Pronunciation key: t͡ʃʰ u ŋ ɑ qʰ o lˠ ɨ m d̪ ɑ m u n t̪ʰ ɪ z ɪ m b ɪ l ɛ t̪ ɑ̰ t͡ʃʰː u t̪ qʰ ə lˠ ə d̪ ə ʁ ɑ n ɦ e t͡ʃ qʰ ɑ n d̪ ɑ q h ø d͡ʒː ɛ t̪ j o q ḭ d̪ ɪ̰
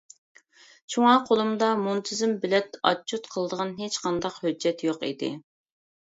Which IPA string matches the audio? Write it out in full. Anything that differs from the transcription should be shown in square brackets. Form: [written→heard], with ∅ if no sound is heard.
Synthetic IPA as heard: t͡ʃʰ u ŋ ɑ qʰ o lˠ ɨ m d̪ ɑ m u n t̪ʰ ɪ z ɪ m b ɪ l ɛ t̪ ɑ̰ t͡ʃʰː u t̪ qʰ ə lˠ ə d̪ ə ʁ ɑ n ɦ e t͡ʃ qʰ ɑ n d̪ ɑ q h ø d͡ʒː ɛ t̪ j o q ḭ d̪ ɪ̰